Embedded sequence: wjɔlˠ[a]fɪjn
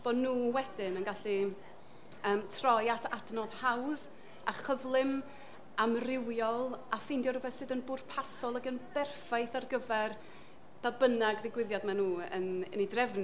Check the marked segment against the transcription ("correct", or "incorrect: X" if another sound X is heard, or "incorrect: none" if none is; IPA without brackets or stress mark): correct